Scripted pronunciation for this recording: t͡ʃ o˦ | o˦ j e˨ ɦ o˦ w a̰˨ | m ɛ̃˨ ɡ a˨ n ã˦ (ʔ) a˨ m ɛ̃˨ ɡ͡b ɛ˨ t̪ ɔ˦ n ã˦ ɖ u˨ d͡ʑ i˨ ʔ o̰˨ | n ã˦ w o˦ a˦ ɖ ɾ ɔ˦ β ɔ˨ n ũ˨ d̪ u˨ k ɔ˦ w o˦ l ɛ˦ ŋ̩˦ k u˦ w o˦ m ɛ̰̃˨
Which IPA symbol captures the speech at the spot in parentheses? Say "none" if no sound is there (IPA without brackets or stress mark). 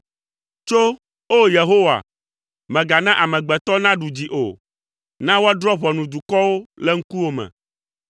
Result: ʔ